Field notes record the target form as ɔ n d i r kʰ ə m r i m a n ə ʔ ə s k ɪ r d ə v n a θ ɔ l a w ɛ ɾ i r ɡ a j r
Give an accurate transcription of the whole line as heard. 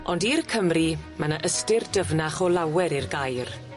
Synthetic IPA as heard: ɔ n d i r kʰ ə m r i m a n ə ʔ ə s t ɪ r d ə v n a χ ɔ l a w ɛ ɾ i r ɡ a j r